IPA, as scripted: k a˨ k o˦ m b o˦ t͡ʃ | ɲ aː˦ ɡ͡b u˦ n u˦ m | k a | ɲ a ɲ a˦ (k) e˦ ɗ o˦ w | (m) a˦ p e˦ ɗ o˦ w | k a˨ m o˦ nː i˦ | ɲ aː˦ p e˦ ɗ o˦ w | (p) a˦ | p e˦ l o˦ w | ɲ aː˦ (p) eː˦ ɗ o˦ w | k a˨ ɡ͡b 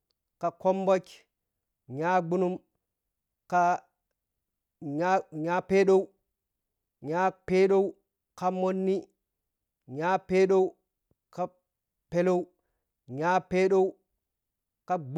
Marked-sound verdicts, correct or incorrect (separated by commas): incorrect, incorrect, incorrect, correct